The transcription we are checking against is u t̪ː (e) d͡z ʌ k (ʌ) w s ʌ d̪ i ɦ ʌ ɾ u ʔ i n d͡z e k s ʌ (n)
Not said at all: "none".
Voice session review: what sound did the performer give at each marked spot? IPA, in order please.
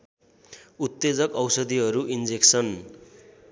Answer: e, ʌ, n

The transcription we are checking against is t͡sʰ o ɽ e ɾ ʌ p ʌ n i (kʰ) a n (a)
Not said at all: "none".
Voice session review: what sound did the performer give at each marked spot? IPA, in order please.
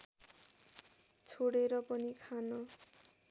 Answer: kʰ, ʌ

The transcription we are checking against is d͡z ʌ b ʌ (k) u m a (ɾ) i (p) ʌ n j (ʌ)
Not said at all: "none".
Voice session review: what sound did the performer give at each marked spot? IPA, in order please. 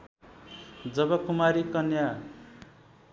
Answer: k, ɾ, k, a

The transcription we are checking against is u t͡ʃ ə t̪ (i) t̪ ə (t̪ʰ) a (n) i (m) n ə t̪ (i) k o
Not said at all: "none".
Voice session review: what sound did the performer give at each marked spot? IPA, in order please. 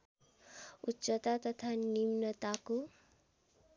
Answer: a, t̪ʰ, n, m, a

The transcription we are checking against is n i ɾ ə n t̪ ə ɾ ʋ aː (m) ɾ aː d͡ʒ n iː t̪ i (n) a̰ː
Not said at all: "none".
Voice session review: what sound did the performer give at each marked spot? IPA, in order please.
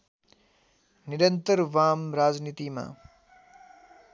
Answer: m, m

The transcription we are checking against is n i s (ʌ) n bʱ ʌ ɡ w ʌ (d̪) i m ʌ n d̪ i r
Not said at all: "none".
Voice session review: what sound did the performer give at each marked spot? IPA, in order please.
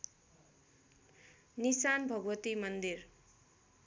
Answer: a, t̪

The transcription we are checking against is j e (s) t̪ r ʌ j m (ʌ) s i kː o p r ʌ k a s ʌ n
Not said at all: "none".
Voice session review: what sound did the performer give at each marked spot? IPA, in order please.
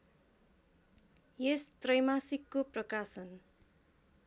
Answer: s, a

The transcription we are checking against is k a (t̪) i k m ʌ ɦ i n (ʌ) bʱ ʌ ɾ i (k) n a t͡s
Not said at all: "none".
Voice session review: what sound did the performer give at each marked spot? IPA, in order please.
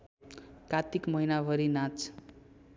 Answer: t̪, a, none

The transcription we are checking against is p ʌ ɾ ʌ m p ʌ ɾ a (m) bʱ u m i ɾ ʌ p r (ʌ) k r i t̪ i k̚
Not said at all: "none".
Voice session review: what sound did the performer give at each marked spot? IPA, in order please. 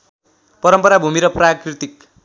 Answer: none, a

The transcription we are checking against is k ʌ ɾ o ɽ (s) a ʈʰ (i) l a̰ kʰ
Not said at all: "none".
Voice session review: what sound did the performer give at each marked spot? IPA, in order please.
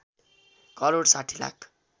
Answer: s, i

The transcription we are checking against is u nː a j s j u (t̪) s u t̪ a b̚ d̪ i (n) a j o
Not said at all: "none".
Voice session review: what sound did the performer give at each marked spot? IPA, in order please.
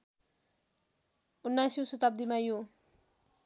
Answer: none, m

